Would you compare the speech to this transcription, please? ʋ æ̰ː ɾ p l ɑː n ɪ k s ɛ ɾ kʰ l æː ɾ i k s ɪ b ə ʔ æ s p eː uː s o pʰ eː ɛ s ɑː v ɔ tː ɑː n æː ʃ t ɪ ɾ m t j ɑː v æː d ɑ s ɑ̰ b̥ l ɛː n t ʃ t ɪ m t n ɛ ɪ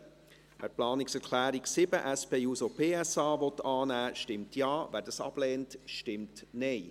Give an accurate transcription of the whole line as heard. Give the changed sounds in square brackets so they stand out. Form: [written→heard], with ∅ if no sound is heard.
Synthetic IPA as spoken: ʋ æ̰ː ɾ p l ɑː n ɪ k s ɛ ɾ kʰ l æː ɾ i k s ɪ b ə ʔ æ s p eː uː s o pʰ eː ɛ s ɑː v ɔ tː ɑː n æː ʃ t ɪ [ɾ→∅] m t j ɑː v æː d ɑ s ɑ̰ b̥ l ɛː n t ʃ t ɪ m t n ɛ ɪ